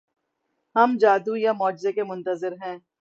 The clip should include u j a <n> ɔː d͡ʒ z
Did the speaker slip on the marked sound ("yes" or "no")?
yes